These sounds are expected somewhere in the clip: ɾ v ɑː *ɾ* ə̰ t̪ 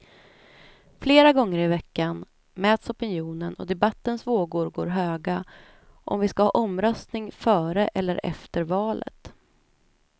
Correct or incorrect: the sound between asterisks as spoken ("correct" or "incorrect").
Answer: incorrect